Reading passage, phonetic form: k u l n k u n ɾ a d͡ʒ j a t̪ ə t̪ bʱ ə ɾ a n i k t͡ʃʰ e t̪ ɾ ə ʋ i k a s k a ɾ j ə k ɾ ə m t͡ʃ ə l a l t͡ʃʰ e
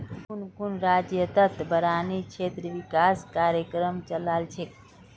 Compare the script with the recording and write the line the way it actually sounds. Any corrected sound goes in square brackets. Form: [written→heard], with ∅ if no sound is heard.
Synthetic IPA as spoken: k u [l→∅] n k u n ɾ a d͡ʒ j [a→ə] t̪ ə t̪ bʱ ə ɾ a n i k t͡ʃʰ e t̪ ɾ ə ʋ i k a s k a ɾ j ə k ɾ ə m t͡ʃ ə l a l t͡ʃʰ e